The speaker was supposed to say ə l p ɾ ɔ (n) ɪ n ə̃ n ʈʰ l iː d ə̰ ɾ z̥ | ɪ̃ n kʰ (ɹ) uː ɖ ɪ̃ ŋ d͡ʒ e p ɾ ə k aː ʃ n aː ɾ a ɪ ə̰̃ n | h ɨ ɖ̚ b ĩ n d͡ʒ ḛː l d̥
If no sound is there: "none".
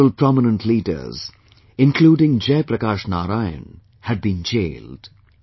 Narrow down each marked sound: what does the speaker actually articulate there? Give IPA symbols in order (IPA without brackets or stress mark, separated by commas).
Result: m, l